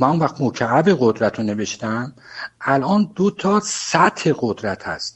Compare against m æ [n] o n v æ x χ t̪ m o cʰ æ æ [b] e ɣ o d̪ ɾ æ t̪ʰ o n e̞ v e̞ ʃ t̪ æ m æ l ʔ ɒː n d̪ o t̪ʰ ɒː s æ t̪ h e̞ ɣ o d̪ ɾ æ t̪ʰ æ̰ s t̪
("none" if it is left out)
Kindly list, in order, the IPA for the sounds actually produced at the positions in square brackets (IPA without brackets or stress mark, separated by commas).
n, b